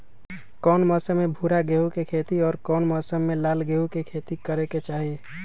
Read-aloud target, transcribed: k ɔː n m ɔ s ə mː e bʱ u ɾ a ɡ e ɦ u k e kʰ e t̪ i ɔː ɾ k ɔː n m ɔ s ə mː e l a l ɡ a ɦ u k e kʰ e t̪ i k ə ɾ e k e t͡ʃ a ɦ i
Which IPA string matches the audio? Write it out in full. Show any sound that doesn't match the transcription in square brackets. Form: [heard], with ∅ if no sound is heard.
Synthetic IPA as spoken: k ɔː n m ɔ s ə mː e bʱ u ɾ a ɡ e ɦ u k e kʰ e t̪ i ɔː ɾ k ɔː n m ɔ s ə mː e l a l ɡ [e] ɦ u k e kʰ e t̪ i k ə ɾ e k e t͡ʃ a ɦ i

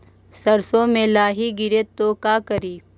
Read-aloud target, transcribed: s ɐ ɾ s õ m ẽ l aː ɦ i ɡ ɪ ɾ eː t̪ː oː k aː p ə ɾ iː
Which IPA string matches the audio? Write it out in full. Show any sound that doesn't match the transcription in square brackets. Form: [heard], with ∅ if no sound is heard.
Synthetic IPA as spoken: s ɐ ɾ s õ m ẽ l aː ɦ i ɡ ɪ ɾ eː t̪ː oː k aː [k] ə ɾ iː

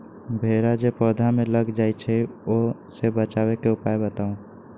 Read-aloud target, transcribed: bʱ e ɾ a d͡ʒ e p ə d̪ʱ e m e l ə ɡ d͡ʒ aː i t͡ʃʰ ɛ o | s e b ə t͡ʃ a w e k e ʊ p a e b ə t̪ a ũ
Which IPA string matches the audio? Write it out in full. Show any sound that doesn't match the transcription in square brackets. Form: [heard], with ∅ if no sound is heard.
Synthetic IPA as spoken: bʱ e ɾ a d͡ʒ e p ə d̪ʱ [a] m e l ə ɡ d͡ʒ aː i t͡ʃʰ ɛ o | s e b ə t͡ʃ a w e k e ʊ p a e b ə t̪ a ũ

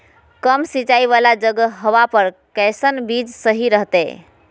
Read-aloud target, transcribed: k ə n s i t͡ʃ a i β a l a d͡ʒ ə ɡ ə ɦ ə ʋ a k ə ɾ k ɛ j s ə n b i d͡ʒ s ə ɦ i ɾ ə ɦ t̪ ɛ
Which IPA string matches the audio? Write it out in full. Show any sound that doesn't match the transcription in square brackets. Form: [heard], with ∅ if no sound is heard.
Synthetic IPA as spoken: k ə [m] s i t͡ʃ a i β a l a d͡ʒ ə ɡ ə ɦ ə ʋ a [p] ə ɾ k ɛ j s ə n b i d͡ʒ s ə ɦ i ɾ ə ɦ t̪ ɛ

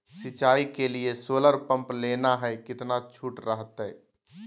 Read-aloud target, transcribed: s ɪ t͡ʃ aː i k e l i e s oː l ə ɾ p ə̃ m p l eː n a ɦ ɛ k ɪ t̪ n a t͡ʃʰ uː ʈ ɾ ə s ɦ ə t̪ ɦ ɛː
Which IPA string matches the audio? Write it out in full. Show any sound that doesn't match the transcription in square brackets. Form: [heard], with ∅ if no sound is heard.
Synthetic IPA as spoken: s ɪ t͡ʃ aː i k e l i e s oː l ə ɾ p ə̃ m p l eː n a ɦ ɛ k ɪ t̪ n a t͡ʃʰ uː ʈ ɾ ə [∅] ɦ ə t̪ ɦ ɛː

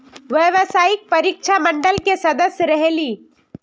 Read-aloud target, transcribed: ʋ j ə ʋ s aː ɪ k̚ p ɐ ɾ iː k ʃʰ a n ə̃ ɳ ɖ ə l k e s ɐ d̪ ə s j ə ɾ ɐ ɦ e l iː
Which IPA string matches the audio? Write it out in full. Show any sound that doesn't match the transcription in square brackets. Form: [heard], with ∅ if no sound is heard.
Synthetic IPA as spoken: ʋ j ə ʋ s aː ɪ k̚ p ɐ ɾ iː k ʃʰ a [m] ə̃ ɳ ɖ ə l k e s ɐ d̪ ə s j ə ɾ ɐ ɦ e l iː

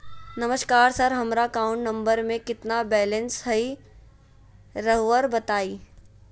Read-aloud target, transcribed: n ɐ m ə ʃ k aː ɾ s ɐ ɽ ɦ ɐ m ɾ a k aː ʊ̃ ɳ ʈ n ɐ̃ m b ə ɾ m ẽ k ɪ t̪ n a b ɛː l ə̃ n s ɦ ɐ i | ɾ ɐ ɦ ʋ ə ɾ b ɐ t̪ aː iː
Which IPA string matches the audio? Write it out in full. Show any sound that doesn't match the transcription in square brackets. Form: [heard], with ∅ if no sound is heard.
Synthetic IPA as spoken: n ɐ m ə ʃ k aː ɾ s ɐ [ɾ] ɦ ɐ m ɾ a k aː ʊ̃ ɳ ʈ n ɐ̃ m b ə ɾ m ẽ k ɪ t̪ n a b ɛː l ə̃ n s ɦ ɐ i | ɾ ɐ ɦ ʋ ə ɾ b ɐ t̪ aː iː

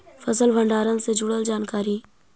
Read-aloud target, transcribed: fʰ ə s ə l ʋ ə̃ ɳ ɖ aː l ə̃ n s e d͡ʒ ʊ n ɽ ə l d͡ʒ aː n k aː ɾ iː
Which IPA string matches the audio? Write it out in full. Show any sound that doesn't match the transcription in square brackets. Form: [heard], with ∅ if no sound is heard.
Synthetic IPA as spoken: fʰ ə s ə l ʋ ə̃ ɳ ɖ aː [ɾ] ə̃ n s e d͡ʒ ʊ [∅] ɽ ə l d͡ʒ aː n k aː ɾ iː

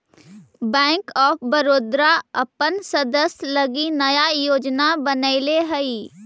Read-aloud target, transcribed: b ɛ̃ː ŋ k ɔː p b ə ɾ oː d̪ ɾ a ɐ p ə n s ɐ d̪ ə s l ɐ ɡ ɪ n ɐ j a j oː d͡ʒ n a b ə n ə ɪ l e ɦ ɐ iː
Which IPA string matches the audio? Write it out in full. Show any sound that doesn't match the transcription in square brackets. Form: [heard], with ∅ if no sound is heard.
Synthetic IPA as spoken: b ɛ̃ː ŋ k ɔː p b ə ɾ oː d̪ ɾ a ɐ p ə n s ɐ d̪ ə s l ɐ ɡ [i] n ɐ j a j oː d͡ʒ n a b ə n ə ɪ l e ɦ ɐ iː

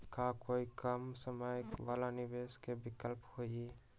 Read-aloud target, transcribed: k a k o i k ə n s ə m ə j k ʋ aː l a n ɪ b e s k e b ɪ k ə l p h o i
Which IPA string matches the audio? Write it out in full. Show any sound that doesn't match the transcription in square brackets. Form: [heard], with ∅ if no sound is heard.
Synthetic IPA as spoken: k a k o i k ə [m] s ə m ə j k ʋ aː l a n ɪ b e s k e b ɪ k ə l p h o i

